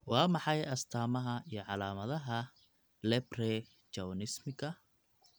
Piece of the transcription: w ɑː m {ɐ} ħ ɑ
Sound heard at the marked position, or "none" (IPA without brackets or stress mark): ɑ